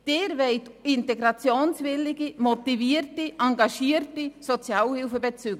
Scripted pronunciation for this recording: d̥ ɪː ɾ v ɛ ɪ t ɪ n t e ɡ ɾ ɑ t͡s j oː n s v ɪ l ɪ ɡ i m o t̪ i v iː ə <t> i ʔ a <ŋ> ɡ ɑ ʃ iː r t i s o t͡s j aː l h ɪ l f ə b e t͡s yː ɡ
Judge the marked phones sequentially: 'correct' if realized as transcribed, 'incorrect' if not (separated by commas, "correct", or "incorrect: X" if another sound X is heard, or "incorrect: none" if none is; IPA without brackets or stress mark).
correct, correct